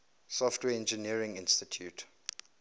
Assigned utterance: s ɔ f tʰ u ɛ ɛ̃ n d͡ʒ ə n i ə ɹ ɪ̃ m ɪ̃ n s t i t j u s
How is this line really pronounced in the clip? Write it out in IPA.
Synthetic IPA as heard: s ɔ f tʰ w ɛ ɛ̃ n d͡ʒ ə n i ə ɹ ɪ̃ ŋ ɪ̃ n s t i tʰ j u t